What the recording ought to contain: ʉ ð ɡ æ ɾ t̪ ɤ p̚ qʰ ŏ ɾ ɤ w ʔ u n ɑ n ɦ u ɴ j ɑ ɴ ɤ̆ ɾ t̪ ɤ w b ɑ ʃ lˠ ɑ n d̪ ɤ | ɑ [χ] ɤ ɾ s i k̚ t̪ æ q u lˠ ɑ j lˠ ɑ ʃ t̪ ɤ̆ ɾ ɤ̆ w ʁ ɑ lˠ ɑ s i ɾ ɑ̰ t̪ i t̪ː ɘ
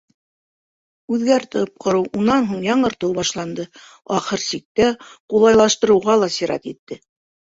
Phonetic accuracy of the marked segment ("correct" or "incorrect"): correct